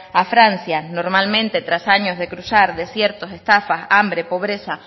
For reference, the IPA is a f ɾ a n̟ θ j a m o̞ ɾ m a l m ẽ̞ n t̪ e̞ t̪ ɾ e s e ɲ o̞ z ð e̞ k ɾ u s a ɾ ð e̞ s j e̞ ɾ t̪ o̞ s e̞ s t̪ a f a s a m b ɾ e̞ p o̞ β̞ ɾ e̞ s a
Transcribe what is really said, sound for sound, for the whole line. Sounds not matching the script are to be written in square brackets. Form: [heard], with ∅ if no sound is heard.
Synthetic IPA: a f ɾ a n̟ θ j a [n] o̞ ɾ m a l m ẽ̞ n t̪ e̞ t̪ ɾ [a] s [a] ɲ o̞ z ð e̞ k ɾ u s a ɾ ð e̞ s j e̞ ɾ t̪ o̞ s e̞ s t̪ a f a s a m b ɾ e̞ p o̞ β̞ ɾ e̞ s a